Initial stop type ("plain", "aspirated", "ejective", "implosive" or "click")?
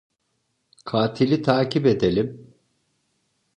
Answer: aspirated